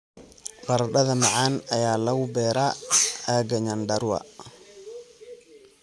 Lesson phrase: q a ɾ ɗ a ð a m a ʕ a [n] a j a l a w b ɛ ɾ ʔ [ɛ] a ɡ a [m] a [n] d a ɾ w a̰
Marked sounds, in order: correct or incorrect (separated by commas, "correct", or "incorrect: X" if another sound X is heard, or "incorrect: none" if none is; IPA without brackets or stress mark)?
correct, incorrect: a, incorrect: ɲ, correct